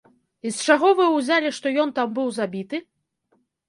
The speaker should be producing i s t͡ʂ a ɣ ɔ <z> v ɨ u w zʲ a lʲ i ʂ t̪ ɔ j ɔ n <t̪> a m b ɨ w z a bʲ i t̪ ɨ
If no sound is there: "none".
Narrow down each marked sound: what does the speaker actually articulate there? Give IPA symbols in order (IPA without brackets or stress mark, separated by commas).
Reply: none, t̪